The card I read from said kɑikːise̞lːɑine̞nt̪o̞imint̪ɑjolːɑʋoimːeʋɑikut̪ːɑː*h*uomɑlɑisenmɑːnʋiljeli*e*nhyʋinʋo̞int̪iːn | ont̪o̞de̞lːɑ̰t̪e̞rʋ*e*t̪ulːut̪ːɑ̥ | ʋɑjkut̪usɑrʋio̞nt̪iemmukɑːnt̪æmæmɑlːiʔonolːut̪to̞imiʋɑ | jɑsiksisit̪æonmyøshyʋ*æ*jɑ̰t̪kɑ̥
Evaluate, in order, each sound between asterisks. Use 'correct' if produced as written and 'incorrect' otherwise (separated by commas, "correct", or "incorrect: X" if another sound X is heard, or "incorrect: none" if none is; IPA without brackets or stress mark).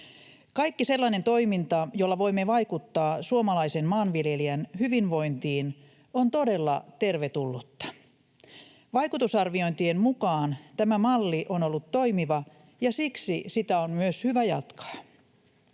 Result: incorrect: s, incorrect: æ, correct, correct